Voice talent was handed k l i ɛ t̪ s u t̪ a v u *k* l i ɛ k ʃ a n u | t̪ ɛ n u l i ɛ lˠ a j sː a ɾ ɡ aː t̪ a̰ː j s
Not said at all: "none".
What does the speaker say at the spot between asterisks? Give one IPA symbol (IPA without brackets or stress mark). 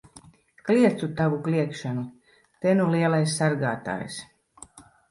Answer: k